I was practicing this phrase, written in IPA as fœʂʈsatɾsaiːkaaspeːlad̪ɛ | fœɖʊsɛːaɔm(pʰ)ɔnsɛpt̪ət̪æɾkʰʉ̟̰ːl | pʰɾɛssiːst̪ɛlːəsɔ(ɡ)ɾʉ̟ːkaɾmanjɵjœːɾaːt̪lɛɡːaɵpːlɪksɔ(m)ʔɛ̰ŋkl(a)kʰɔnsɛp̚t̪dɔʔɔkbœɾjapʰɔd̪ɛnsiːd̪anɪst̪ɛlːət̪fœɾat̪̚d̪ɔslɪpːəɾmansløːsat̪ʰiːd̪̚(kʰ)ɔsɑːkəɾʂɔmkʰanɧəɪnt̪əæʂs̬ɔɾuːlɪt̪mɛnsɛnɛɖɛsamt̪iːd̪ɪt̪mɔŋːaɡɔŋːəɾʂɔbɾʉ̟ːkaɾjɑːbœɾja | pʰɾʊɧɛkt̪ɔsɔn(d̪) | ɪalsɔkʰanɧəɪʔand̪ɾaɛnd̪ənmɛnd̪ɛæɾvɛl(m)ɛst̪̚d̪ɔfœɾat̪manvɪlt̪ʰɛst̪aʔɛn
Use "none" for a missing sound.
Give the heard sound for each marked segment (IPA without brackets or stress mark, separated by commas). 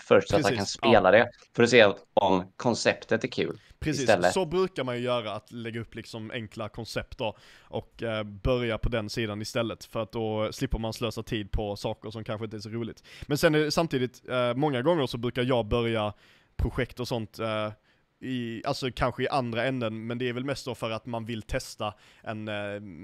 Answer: kʰ, b, m, a, pʰ, t̪, m